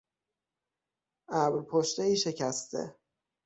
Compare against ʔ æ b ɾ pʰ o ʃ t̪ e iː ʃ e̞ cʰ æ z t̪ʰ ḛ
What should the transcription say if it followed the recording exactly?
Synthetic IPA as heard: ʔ æ b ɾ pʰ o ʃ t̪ e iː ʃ e̞ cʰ æ s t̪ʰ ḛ